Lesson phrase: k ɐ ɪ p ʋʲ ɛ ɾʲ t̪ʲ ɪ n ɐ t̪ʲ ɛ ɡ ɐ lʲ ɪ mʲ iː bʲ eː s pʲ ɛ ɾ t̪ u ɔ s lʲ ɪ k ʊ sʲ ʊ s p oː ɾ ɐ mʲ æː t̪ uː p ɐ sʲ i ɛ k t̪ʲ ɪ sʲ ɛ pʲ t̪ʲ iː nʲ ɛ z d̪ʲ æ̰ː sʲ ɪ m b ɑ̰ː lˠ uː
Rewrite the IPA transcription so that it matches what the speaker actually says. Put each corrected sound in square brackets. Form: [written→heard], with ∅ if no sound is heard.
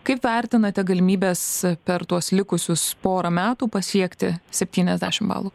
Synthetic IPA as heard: k ɐ ɪ p ʋʲ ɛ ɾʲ t̪ʲ ɪ n ɐ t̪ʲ ɛ ɡ ɐ lʲ ɪ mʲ iː bʲ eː s pʲ ɛ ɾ t̪ u ɔ s lʲ ɪ k ʊ sʲ ʊ s p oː ɾ ɐ mʲ æː t̪ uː p ɐ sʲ i ɛ k t̪ʲ ɪ sʲ ɛ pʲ t̪ʲ iː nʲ ɛ z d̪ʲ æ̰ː [sʲ→ʃʲ] ɪ m b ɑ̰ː lˠ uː

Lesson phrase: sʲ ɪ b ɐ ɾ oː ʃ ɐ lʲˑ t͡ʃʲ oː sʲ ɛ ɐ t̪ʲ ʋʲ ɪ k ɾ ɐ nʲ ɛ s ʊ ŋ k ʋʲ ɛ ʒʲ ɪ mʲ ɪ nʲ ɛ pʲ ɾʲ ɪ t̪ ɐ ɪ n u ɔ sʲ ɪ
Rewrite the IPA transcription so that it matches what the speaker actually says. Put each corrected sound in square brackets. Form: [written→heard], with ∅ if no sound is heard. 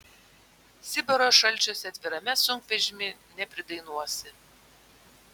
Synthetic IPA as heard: sʲ ɪ b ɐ ɾ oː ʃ ɐ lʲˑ t͡ʃʲ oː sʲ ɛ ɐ t̪ʲ ʋʲ ɪ [k→∅] ɾ ɐ [nʲ→mʲ] ɛ s ʊ ŋ k ʋʲ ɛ ʒʲ ɪ mʲ ɪ nʲ ɛ pʲ ɾʲ ɪ [t̪→d̪] ɐ ɪ n u ɔ sʲ ɪ

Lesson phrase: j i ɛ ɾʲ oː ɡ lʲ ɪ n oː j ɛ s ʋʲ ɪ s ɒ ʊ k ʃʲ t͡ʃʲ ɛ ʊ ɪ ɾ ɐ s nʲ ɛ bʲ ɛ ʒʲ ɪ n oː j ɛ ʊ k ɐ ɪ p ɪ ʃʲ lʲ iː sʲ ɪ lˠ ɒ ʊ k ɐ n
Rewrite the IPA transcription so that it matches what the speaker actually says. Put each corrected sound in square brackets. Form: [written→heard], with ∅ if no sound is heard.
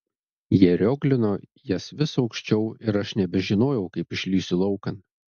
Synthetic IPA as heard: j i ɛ ɾʲ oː ɡ lʲ ɪ n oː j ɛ s ʋʲ ɪ s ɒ ʊ k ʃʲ t͡ʃʲ ɛ ʊ ɪ ɾ ɐ [s→ʃ] nʲ ɛ bʲ ɛ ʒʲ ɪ n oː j ɛ ʊ k ɐ ɪ p ɪ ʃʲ lʲ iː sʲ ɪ lˠ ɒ ʊ k ɐ n

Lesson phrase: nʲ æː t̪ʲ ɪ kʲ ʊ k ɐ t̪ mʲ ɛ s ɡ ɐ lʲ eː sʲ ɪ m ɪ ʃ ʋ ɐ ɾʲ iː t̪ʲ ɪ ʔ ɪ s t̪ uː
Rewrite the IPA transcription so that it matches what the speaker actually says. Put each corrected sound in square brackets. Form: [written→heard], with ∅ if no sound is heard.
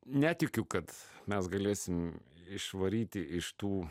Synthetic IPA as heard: nʲ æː t̪ʲ ɪ kʲ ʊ k ɐ t̪ mʲ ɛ s ɡ ɐ lʲ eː sʲ ɪ m ɪ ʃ ʋ ɐ ɾʲ iː t̪ʲ ɪ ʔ ɪ [s→ʃ] t̪ uː

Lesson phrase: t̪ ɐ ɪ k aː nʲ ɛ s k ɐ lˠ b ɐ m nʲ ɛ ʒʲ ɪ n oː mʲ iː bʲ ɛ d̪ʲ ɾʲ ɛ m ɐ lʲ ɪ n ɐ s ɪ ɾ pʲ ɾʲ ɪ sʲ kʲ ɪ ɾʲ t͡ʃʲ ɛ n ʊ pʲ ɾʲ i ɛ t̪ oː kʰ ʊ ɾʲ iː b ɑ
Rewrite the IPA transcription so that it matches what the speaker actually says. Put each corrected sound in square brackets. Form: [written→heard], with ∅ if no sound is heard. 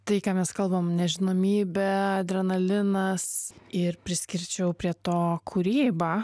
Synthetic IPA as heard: t̪ ɐ ɪ k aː [nʲ→mʲ] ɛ s k ɐ lˠ b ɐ m nʲ ɛ ʒʲ ɪ n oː mʲ iː bʲ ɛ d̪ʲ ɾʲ ɛ [m→n] ɐ lʲ ɪ n ɐ s ɪ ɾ pʲ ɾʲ ɪ sʲ kʲ ɪ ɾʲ t͡ʃʲ ɛ [n→∅] ʊ pʲ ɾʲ i ɛ t̪ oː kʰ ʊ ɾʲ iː b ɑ

